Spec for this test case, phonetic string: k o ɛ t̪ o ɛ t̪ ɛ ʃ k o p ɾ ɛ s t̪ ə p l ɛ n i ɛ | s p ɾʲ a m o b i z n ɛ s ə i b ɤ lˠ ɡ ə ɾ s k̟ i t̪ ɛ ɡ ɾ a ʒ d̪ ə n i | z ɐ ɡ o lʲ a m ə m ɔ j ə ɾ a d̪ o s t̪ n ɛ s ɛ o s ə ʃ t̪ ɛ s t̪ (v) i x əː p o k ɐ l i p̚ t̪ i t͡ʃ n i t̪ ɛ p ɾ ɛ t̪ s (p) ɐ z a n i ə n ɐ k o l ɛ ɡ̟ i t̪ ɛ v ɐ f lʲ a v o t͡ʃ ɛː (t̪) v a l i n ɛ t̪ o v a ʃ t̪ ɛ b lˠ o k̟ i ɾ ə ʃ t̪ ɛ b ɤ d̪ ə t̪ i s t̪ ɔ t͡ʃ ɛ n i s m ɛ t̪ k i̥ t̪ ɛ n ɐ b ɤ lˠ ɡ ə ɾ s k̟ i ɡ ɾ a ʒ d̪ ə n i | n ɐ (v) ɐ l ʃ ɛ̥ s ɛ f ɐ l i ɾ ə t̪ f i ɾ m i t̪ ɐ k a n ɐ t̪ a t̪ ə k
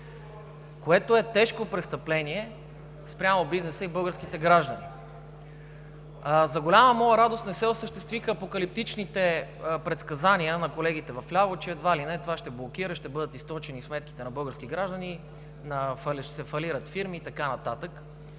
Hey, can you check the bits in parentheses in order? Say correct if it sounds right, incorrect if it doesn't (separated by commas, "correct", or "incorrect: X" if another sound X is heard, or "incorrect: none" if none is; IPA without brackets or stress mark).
correct, incorrect: k, incorrect: d̪, incorrect: f